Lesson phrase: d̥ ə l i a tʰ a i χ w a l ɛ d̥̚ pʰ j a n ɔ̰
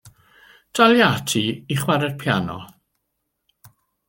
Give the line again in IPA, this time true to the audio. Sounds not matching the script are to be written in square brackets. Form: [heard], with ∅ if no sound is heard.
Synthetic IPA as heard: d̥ [a] l [j] a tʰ [i] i χ w a [ɾ] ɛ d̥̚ pʰ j a n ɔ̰